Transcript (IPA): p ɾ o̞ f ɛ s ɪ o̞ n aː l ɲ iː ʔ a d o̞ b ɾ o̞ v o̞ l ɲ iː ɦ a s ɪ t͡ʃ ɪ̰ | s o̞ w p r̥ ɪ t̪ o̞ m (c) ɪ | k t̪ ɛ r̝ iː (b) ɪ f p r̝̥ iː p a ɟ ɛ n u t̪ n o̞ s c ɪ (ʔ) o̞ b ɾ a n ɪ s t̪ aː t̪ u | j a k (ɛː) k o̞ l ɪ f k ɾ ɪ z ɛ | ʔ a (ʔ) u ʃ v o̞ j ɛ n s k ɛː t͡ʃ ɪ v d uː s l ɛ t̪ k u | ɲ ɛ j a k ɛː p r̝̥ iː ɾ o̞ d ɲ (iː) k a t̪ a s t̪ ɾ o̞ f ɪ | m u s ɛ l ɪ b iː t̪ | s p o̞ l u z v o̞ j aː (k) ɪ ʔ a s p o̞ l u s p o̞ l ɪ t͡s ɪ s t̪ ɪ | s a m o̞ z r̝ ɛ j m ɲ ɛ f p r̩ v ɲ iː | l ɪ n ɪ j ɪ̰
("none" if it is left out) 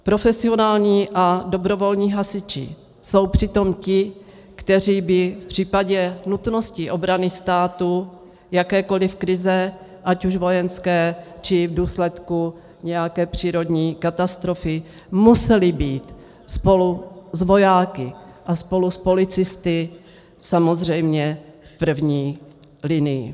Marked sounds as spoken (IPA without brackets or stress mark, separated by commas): c, b, ʔ, ɛː, c, iː, k